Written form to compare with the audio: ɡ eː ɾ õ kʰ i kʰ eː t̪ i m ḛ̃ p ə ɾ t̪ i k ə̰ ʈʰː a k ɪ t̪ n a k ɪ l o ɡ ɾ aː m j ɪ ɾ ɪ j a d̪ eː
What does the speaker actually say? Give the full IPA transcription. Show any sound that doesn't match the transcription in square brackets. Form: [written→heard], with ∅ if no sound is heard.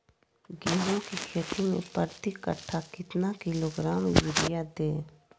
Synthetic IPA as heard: ɡ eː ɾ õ [kʰ→k] i kʰ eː t̪ i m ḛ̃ p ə ɾ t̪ i k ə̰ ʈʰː a k ɪ t̪ n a k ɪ l o ɡ ɾ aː m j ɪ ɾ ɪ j a d̪ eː